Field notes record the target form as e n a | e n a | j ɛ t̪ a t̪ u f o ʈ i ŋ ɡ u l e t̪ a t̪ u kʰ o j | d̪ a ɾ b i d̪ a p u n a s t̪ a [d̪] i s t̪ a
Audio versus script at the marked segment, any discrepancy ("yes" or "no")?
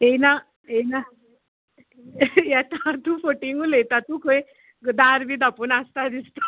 no